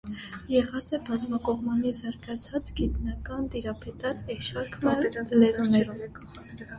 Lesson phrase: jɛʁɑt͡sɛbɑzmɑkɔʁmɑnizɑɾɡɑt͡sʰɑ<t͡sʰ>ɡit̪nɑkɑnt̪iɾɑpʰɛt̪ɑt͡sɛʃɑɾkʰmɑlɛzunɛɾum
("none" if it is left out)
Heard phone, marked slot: t͡s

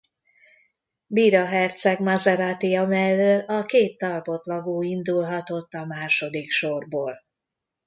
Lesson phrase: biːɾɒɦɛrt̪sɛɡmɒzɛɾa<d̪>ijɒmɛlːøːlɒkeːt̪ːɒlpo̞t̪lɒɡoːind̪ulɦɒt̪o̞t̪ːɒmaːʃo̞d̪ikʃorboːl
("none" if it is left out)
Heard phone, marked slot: t̪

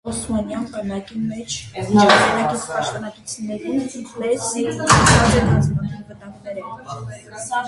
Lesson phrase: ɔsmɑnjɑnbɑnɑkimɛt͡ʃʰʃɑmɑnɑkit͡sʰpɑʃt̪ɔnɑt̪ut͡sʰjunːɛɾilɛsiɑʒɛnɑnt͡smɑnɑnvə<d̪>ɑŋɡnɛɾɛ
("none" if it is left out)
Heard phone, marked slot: t̪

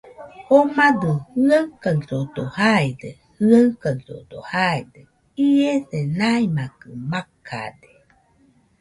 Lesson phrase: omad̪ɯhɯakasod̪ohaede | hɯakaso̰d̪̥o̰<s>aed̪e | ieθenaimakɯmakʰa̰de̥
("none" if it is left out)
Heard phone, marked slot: h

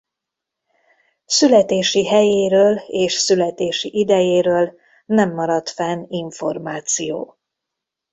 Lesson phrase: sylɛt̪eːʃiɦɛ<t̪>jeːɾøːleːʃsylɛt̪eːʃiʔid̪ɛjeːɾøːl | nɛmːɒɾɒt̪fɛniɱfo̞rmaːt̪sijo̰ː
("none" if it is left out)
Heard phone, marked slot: none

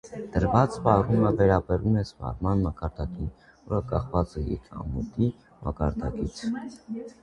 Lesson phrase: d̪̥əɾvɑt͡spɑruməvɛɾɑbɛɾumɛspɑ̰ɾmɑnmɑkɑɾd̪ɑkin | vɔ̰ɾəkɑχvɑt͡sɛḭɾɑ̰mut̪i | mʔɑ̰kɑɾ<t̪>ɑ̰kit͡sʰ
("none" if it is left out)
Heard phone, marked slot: d̪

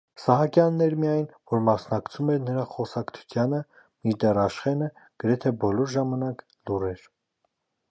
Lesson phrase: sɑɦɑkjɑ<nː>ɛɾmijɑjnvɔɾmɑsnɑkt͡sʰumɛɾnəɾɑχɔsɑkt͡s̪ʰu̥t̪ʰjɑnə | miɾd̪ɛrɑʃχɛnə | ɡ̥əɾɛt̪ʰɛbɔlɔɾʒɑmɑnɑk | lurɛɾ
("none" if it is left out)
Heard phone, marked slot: nː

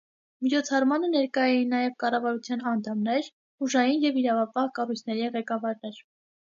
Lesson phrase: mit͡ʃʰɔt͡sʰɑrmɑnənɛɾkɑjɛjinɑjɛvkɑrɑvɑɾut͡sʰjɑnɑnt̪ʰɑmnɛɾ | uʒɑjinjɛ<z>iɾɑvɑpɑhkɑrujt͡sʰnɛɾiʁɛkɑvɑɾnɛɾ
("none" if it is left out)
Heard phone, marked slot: v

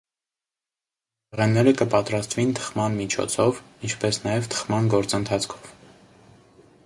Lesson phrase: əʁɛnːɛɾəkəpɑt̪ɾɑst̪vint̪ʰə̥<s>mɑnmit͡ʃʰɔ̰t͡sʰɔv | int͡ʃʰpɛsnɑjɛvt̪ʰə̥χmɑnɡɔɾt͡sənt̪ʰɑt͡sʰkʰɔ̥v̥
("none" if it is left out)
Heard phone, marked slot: χ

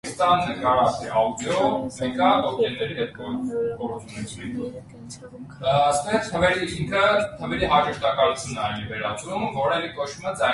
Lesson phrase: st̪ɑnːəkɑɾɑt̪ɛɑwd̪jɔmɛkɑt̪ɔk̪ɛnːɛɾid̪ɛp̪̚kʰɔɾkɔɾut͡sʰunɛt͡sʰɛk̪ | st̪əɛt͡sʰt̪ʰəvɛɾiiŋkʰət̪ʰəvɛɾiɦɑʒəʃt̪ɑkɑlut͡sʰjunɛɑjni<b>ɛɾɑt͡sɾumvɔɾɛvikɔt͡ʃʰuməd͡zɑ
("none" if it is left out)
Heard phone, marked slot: v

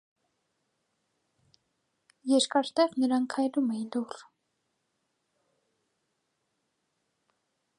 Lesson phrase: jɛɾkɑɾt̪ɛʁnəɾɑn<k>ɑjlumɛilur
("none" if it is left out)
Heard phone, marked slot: kʰ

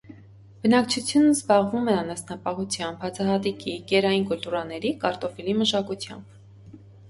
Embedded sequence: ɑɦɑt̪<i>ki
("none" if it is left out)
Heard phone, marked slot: i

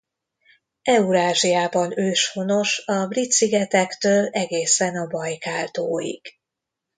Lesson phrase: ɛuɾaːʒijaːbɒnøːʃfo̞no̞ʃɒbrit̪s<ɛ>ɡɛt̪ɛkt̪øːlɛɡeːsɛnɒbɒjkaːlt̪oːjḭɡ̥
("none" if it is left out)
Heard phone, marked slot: i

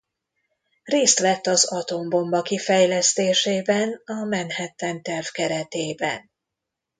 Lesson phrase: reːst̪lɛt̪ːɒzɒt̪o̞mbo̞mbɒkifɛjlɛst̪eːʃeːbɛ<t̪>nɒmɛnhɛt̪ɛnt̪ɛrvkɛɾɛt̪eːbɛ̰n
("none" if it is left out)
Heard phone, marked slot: none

